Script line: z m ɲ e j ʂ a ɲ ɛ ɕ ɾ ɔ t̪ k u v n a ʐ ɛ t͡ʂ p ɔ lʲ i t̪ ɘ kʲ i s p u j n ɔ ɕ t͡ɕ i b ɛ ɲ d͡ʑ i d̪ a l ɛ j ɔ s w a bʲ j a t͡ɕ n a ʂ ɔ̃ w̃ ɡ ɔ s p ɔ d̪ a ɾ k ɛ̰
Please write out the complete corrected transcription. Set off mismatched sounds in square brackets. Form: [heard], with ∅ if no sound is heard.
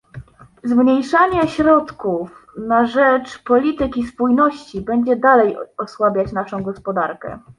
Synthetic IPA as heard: z m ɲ e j ʂ a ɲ ɛ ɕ ɾ ɔ t̪ k u [f] n a ʐ ɛ t͡ʂ p ɔ lʲ i t̪ ɘ kʲ i s p u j n ɔ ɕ t͡ɕ i b ɛ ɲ d͡ʑ [ɛ] d̪ a l ɛ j ɔ s w a bʲ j a t͡ɕ n a ʂ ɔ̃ w̃ ɡ ɔ s p ɔ d̪ a ɾ k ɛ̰